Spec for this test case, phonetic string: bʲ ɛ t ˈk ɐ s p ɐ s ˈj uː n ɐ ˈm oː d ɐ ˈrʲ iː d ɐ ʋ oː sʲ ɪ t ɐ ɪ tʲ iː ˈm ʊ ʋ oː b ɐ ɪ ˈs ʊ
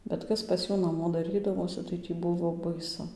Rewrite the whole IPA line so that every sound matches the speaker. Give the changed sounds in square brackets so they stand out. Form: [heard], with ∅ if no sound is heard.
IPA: bʲ ɛ t ˈk ɐ s p ɐ s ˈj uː n ɐ ˈm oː d ɐ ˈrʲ iː d ɐ ʋ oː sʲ ɪ t ɐ ɪ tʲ iː [ˈb] ʊ ʋ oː b ɐ ɪ ˈs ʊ